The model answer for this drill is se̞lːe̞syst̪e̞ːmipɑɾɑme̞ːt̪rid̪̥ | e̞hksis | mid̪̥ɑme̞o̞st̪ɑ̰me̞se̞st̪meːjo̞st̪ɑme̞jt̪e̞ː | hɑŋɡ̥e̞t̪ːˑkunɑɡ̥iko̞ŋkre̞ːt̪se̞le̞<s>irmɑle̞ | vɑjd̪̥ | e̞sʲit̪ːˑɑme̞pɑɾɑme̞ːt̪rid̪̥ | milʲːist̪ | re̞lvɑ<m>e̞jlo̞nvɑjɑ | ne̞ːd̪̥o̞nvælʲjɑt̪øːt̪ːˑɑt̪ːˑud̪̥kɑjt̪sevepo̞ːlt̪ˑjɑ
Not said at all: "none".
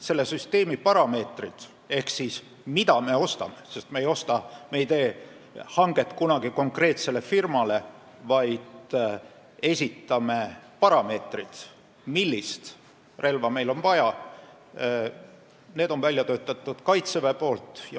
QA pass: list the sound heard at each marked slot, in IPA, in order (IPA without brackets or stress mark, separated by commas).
f, m